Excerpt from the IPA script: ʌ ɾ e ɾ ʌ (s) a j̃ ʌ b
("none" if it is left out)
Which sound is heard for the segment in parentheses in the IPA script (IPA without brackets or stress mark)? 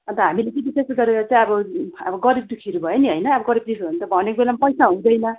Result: t͡s